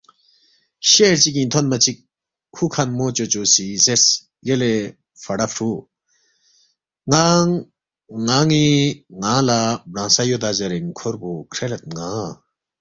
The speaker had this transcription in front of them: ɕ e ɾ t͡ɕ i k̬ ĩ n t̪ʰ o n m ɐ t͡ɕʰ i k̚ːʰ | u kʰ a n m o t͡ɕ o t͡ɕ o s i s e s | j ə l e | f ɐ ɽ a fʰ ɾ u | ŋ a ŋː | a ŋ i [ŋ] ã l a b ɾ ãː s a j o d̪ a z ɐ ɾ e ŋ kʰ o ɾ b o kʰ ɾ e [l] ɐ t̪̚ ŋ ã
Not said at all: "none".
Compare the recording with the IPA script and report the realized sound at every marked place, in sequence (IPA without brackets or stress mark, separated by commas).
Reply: ŋ, l